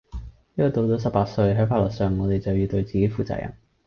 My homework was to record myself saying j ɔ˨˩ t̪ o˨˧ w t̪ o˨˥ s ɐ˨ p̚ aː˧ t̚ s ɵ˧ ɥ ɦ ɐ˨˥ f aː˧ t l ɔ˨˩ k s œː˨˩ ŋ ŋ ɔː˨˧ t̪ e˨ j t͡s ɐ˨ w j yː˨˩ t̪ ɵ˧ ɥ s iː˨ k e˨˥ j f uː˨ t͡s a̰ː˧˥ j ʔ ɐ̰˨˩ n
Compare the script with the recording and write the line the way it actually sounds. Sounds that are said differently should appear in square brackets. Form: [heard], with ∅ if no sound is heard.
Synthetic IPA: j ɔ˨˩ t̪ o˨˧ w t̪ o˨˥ s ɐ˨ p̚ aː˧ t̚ s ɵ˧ ɥ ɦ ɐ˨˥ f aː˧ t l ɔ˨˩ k s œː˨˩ ŋ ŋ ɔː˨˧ t̪ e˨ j t͡s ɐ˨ w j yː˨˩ t̪ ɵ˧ ɥ [t͡s] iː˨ k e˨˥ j f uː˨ t͡s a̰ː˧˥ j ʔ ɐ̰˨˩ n